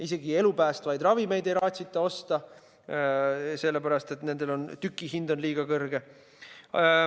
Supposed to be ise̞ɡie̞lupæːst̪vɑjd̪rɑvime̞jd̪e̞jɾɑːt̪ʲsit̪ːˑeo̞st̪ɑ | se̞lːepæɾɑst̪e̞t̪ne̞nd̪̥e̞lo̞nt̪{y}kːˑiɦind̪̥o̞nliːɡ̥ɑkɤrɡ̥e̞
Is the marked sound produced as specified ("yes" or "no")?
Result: yes